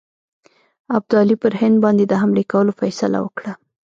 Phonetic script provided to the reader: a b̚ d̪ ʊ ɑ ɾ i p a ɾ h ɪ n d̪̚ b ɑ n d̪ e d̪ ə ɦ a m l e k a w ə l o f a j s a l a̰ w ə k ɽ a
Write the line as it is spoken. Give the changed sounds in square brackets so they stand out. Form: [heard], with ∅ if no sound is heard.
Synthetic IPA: a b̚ d̪ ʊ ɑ [l] i p [ə] ɾ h ɪ n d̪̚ b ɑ n d̪ e d̪ ə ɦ a m l e k a w ə l o f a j s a l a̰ w ə k ɽ a